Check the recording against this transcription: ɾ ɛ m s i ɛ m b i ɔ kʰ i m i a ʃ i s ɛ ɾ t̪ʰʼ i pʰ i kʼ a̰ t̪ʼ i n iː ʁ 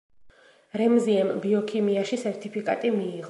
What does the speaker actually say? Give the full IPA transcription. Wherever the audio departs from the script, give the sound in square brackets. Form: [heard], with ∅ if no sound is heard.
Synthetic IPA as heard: ɾ ɛ m [z] i ɛ m b i ɔ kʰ i m i a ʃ i s ɛ ɾ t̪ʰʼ i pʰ i kʼ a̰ t̪ʼ i [m] iː ʁ